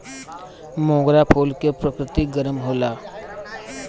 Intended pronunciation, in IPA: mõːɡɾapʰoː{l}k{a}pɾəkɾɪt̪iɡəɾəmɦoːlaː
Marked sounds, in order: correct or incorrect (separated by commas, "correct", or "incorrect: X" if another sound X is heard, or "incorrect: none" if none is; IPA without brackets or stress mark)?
correct, incorrect: e